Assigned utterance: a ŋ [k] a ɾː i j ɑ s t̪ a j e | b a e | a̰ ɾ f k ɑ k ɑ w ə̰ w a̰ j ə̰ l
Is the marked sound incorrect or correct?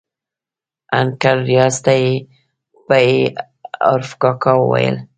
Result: correct